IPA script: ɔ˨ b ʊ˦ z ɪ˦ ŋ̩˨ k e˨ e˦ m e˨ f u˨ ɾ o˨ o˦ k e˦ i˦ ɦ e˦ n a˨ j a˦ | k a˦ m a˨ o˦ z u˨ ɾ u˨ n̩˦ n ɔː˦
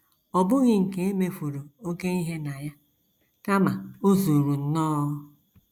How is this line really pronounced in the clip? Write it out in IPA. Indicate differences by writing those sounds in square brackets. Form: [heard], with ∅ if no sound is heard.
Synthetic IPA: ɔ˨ b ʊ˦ [ɣ] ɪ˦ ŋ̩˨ k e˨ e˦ m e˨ f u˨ ɾ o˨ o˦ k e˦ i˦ ɦ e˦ n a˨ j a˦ | k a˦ m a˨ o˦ z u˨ ɾ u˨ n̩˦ n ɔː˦